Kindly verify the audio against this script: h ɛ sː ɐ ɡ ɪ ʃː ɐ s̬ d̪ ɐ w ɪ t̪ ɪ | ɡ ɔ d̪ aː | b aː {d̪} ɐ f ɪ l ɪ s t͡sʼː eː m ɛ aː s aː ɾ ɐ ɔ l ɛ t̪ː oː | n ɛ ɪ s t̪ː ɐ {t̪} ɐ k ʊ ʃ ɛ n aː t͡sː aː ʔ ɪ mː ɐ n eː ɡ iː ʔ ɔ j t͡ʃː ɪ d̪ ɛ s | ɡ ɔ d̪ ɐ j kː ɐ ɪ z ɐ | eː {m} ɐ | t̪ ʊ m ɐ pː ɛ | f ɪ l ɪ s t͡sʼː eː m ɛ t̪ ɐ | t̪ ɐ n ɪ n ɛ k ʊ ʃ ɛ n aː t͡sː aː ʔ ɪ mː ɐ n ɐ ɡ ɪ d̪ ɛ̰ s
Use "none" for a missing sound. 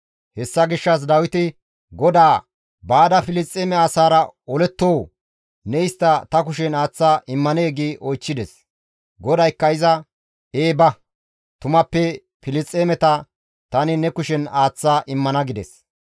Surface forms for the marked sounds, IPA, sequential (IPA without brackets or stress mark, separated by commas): d̪, t̪, b